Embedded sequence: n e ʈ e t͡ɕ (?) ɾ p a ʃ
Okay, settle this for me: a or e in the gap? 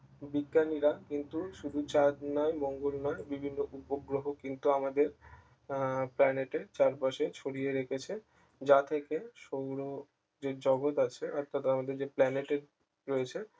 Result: a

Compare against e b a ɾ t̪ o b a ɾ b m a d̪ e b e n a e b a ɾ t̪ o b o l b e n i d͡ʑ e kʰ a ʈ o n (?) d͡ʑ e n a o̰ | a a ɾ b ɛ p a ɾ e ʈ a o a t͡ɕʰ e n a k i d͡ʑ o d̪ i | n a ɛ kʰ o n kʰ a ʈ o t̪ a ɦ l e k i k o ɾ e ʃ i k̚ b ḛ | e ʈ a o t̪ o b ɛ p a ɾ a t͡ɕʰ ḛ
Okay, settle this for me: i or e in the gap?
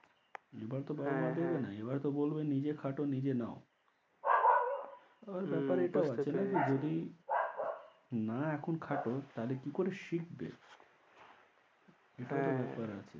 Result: i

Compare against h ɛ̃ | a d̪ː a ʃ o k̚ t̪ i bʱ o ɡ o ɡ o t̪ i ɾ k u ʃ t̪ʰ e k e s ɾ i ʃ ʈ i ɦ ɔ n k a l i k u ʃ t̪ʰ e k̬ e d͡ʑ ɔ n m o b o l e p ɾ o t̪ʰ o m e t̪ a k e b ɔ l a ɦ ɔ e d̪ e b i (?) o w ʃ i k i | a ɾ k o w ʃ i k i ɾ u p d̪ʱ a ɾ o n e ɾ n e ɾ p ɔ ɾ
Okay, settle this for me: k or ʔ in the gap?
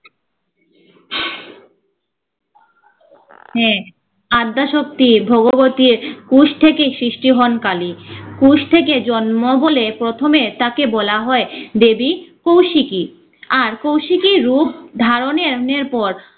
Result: k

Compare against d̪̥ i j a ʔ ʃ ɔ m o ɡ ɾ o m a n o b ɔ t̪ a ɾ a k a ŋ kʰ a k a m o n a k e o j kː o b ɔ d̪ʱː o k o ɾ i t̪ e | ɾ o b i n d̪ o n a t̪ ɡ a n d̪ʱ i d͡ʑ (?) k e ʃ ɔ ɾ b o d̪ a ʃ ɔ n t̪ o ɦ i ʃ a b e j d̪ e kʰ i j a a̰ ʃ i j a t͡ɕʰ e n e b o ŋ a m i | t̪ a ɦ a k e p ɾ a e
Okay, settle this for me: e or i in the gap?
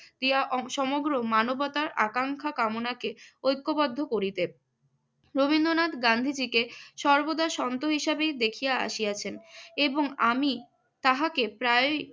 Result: i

